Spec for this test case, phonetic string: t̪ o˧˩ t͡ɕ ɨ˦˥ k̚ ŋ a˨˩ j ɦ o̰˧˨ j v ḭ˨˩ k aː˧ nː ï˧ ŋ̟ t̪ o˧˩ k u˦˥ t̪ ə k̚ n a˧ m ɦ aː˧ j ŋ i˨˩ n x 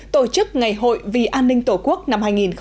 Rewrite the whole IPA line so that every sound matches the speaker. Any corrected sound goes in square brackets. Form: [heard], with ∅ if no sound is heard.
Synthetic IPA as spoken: t̪ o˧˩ t͡ɕ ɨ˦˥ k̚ ŋ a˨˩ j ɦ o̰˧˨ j v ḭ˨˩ [ʔ] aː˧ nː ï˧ ŋ̟ t̪ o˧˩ k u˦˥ [∅] ə k̚ n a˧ m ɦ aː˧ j ŋ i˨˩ n x